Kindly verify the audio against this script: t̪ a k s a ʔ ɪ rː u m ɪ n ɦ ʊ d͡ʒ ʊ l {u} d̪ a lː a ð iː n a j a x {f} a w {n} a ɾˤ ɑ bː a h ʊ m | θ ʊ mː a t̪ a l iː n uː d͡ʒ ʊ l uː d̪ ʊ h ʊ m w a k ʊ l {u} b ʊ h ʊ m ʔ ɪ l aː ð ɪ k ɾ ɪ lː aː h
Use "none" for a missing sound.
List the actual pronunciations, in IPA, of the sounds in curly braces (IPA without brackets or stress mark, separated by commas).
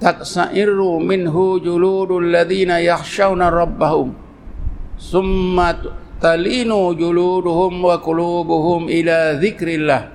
uː, ʃ, n, uː